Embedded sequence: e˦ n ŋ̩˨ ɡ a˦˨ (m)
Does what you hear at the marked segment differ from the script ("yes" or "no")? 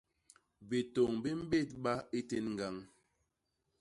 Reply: yes